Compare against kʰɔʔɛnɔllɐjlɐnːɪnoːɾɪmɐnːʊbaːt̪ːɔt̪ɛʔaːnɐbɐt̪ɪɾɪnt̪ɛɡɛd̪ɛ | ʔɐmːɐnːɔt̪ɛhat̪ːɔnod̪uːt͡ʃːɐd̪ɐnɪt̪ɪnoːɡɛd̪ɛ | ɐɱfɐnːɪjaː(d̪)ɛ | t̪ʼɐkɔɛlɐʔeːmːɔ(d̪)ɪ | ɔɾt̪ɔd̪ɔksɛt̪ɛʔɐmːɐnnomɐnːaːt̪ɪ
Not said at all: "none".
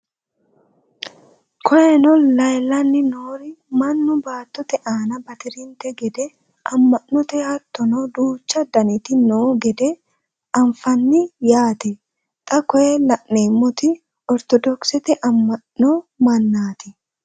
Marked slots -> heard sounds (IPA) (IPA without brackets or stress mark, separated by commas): t̪, t̪